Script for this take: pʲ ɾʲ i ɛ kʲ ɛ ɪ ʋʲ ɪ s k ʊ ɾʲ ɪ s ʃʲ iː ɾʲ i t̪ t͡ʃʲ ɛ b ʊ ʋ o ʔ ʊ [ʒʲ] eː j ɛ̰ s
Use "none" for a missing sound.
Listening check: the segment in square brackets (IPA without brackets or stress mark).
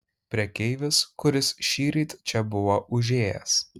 ʒʲ